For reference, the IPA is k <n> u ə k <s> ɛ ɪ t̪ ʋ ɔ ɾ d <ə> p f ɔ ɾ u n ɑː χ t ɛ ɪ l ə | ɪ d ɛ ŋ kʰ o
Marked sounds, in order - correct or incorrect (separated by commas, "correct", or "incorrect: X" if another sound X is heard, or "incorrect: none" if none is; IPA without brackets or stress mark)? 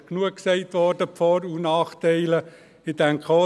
correct, correct, correct